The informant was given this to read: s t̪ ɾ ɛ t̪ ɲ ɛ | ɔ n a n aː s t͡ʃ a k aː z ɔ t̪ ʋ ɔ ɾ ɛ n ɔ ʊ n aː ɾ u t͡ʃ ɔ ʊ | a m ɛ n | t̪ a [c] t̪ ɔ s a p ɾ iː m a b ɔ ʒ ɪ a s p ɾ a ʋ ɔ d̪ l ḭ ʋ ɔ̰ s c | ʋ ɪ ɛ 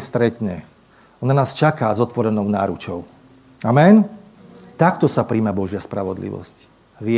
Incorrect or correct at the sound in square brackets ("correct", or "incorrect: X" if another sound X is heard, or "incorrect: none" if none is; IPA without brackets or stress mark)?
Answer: incorrect: k